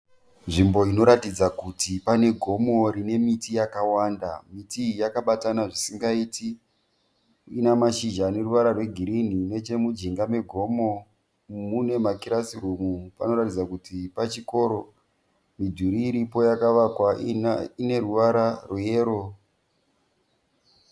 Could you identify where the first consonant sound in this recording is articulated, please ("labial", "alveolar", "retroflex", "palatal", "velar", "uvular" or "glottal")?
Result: alveolar